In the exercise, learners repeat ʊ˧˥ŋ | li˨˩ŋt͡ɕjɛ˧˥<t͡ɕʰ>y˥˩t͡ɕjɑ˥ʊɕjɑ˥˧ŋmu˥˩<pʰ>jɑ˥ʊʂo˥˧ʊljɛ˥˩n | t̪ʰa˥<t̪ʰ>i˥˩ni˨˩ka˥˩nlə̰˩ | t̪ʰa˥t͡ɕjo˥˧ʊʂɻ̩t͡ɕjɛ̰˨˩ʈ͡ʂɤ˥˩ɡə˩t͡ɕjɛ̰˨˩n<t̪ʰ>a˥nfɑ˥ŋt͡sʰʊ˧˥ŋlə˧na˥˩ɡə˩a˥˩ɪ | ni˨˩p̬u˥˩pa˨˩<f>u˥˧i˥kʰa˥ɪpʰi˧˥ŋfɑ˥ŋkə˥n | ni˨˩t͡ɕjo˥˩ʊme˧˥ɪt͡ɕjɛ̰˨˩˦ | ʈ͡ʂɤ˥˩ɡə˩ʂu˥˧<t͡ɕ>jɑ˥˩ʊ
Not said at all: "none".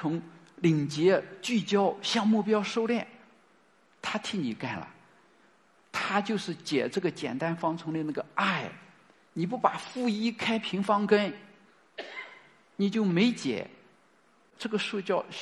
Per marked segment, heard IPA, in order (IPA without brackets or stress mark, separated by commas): t͡ɕ, p, t̪ʰ, t̪, f, t͡ɕ